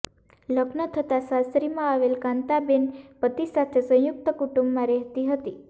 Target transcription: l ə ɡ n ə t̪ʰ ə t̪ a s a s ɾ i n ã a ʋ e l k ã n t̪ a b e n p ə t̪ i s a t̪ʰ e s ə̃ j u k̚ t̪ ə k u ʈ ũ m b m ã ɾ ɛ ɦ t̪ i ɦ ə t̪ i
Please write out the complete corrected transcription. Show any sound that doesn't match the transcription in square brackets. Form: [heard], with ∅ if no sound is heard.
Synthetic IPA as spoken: l ə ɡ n ə t̪ʰ ə t̪ a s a s ɾ i [m] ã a ʋ e l k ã n t̪ a b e n p ə t̪ i s a t̪ʰ e s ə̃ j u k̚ t̪ ə k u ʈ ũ m b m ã ɾ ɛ ɦ t̪ i ɦ ə t̪ i